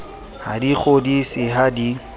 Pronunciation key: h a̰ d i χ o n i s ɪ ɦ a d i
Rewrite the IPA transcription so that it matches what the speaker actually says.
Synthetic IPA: h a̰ d i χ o d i s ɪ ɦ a d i